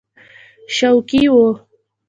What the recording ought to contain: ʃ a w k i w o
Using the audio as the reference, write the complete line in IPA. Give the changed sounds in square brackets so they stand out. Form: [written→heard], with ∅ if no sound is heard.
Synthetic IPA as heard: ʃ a w k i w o